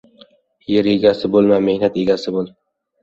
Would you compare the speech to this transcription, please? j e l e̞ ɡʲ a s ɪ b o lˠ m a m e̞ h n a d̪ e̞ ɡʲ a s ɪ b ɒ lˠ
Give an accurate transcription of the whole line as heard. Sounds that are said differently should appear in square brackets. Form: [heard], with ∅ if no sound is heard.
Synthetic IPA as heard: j e [ɾ] e̞ ɡʲ a s ɪ b o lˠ m a m e̞ h n a [t̪] e̞ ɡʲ a s ɪ b [o] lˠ